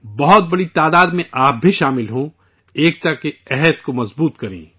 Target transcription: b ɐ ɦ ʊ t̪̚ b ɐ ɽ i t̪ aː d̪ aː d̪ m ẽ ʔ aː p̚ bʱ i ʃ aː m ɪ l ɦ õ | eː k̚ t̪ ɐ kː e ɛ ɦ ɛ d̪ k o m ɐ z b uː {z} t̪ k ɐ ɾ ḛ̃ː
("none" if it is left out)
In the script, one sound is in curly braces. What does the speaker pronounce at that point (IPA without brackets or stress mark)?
none